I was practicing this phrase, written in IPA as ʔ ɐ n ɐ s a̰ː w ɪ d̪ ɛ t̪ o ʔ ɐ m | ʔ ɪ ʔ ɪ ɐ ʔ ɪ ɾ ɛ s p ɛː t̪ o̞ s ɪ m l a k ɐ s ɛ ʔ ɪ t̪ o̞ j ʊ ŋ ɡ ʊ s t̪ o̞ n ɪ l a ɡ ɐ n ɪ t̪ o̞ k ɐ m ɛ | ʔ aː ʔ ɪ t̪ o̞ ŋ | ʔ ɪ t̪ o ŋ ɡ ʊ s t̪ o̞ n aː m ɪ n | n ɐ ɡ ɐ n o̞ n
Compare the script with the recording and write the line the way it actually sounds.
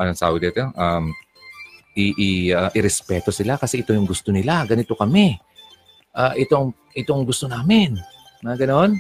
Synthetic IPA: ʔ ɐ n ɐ s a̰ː w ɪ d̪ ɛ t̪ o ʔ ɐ m | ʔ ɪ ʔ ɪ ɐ ʔ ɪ ɾ ɛ s p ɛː t̪ o̞ s ɪ l a k ɐ s ɛ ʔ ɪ t̪ o̞ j ʊ ŋ ɡ ʊ s t̪ o̞ n ɪ l a ɡ ɐ n ɪ t̪ o̞ k ɐ m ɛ | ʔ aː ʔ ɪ t̪ o̞ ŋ | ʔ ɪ t̪ o ŋ ɡ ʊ s t̪ o̞ n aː m ɪ n | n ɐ ɡ ɐ n o̞ n